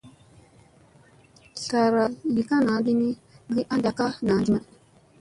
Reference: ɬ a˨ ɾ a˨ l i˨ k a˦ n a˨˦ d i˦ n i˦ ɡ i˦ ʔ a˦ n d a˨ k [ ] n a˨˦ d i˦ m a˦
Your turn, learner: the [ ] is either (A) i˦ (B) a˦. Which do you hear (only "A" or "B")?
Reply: B